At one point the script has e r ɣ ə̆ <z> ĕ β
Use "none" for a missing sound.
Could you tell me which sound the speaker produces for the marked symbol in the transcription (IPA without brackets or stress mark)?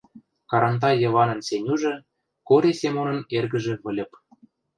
ʒ